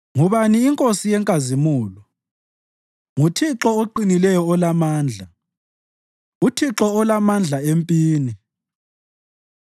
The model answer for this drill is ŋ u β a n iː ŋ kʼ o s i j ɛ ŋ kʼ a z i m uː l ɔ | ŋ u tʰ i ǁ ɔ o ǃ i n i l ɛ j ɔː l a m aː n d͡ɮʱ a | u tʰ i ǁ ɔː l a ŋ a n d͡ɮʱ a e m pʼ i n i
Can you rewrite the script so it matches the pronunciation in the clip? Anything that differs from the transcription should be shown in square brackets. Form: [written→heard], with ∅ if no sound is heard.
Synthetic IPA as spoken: ŋ u β a n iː ŋ kʼ o s i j ɛ ŋ kʼ a z i m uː l ɔ | ŋ u tʰ i ǁ ɔ o ǃ i n i l ɛ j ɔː l a m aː n d͡ɮʱ a | u tʰ i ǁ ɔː l a [ŋ→m] a n d͡ɮʱ a e m pʼ [i→iː] n i